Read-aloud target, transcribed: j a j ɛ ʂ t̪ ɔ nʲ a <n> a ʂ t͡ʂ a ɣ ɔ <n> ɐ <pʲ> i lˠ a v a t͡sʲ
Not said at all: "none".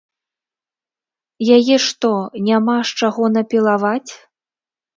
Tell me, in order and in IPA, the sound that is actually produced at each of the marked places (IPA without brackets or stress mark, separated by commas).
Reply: m, n, pʲ